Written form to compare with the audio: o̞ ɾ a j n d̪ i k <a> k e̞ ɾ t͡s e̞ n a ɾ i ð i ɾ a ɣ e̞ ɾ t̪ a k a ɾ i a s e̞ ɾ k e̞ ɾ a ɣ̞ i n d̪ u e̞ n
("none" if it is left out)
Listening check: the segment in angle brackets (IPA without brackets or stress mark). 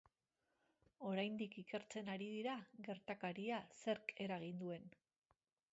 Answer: i